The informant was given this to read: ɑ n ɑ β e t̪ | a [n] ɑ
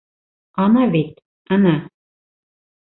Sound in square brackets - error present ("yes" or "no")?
no